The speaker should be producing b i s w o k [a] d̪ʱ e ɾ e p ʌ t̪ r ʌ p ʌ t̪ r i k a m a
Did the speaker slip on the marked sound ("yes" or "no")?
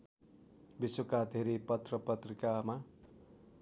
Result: no